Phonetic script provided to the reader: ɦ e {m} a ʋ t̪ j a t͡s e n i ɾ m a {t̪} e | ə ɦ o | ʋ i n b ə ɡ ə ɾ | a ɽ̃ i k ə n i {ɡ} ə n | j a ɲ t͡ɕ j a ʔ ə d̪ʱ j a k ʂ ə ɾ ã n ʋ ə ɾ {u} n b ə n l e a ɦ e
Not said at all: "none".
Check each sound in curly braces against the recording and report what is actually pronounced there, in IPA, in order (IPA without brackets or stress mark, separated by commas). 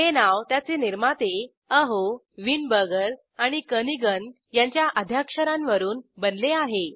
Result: n, t̪, ɡ, uː